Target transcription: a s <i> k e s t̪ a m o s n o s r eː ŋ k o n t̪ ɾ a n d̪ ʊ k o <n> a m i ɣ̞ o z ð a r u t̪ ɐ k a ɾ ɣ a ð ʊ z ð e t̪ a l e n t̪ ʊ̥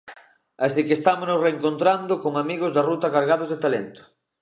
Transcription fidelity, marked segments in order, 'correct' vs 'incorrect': correct, incorrect: ŋ

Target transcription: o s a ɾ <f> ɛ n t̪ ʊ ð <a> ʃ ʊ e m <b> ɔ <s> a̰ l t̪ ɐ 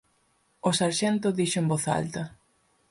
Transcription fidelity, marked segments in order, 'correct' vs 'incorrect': incorrect: ʃ, incorrect: i, correct, incorrect: θ

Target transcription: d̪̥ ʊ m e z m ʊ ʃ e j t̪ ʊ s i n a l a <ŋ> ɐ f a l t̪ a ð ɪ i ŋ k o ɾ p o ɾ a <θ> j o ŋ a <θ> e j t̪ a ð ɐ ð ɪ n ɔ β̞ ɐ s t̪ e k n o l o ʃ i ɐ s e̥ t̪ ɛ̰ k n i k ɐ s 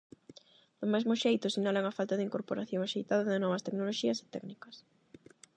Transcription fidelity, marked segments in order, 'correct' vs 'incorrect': correct, correct, incorrect: ʃ

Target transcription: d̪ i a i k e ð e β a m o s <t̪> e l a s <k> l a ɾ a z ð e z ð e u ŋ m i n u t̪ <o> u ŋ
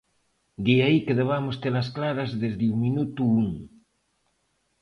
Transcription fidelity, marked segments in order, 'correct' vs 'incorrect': correct, correct, incorrect: u

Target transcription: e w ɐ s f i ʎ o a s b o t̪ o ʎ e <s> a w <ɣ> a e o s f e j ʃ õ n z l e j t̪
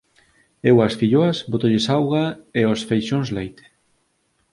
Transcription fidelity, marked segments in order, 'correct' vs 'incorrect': correct, correct

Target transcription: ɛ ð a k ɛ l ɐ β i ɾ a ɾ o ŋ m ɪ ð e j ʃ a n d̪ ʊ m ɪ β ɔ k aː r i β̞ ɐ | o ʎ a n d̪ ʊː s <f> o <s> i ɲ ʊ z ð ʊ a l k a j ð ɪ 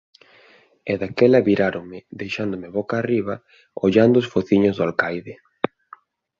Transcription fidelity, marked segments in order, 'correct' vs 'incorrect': correct, incorrect: θ

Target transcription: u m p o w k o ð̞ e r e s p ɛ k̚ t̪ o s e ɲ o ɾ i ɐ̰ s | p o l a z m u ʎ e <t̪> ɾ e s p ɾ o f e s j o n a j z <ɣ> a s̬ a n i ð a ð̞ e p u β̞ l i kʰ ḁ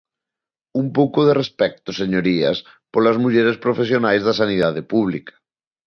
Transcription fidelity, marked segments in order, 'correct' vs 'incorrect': incorrect: none, incorrect: ð

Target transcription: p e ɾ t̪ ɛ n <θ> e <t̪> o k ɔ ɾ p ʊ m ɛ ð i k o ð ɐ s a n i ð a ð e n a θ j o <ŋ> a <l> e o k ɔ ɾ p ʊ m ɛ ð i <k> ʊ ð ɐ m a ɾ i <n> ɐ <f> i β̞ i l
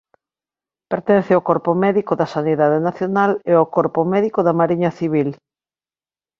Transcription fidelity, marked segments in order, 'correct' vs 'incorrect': correct, incorrect: none, incorrect: n, correct, correct, incorrect: ɲ, incorrect: θ

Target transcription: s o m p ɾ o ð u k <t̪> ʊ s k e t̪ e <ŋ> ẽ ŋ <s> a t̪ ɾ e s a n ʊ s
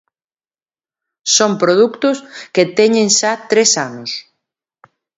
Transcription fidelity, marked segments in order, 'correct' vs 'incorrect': correct, incorrect: ɲ, incorrect: ʃ

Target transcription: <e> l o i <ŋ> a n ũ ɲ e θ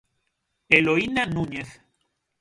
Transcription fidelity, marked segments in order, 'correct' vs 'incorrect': correct, incorrect: n

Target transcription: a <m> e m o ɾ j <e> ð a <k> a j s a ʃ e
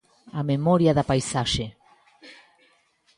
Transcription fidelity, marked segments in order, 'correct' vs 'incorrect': correct, incorrect: a, incorrect: p

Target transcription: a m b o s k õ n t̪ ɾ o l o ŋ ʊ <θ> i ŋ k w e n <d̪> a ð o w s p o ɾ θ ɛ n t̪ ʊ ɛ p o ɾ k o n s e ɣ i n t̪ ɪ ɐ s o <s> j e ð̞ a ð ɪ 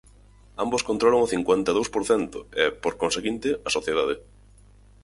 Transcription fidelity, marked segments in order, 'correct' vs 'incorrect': correct, incorrect: t̪, incorrect: θ

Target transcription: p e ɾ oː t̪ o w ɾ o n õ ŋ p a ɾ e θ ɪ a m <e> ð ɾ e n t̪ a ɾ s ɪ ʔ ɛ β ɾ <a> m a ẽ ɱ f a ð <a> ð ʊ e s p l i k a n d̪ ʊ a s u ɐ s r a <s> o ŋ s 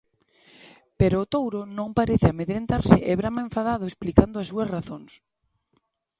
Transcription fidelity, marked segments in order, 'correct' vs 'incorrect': correct, correct, correct, incorrect: θ

